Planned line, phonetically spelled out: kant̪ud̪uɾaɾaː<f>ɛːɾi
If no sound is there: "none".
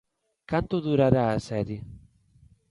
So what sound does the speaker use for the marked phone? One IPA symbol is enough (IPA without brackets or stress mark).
s